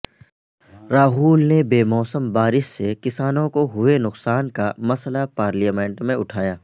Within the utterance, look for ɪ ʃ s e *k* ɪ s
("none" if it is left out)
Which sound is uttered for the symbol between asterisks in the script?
k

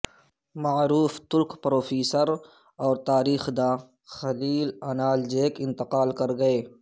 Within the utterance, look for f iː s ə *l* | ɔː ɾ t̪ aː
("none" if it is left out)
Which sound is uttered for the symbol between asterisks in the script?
ɾ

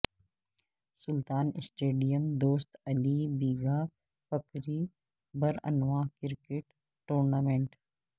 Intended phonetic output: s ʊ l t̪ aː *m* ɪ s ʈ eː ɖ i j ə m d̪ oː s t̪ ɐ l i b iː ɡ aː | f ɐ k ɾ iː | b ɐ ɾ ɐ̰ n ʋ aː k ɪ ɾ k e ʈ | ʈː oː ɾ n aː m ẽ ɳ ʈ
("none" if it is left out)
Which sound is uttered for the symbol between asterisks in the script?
n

